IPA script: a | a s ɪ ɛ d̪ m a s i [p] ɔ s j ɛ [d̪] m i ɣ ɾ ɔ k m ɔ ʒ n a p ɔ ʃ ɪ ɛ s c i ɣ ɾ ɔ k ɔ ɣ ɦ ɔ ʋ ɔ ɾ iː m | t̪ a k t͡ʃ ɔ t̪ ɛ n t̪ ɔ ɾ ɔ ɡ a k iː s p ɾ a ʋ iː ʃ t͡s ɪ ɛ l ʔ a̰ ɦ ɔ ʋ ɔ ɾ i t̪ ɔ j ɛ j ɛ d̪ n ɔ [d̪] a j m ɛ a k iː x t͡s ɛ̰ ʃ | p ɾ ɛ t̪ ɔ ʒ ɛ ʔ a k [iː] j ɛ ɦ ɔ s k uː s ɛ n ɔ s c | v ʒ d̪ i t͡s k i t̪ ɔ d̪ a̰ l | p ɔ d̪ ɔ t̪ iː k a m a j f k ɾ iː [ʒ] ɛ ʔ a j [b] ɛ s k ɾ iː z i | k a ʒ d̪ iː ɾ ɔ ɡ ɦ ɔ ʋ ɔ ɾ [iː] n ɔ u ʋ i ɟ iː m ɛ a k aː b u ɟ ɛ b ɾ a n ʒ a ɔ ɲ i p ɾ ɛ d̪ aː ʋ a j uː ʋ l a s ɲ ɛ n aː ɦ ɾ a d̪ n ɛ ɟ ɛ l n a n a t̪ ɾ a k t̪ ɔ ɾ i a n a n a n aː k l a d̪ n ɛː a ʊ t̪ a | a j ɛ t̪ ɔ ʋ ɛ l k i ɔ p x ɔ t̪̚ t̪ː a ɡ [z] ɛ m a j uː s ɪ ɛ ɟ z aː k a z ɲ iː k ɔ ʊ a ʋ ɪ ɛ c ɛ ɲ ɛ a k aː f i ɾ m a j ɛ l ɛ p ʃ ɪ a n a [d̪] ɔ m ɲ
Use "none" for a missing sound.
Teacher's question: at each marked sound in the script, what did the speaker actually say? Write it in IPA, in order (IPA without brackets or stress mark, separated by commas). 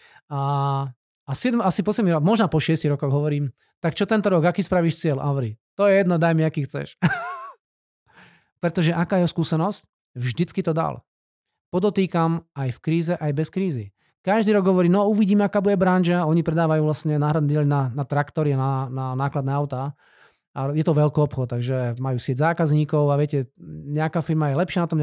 p, d̪, d̪, aː, z, b, iː, ʒ, t̪